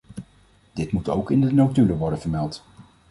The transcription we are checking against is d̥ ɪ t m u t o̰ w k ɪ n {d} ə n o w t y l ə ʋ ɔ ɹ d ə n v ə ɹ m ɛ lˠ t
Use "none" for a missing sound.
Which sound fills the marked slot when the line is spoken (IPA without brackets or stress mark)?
d